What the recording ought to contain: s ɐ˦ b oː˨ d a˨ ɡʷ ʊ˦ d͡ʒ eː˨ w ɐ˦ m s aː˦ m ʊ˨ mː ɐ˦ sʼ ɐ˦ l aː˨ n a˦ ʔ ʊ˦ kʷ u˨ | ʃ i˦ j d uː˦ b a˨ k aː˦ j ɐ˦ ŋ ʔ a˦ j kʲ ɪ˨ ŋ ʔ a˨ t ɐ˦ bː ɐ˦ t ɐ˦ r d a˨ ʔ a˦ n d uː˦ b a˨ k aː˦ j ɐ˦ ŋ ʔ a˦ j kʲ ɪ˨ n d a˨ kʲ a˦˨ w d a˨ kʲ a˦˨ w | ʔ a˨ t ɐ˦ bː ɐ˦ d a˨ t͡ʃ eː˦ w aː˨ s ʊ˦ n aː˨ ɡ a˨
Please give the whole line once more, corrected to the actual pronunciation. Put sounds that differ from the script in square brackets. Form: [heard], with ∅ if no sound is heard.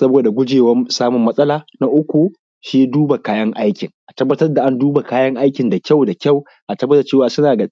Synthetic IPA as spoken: s ɐ˦ b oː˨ d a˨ ɡʷ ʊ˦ d͡ʒ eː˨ w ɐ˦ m s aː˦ m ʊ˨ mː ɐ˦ sʼ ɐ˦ l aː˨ n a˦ ʔ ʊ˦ kʷ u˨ | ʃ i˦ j d uː˦ b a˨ k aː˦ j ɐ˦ ŋ ʔ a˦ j kʲ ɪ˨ ŋ ʔ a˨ t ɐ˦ bː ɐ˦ t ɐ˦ r d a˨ ʔ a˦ n d uː˦ b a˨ k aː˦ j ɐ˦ ŋ ʔ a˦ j kʲ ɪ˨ n d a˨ kʲ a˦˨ w d a˨ kʲ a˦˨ w | ʔ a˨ t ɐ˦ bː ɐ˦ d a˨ t͡ʃ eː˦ w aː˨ s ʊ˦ n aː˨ ɡ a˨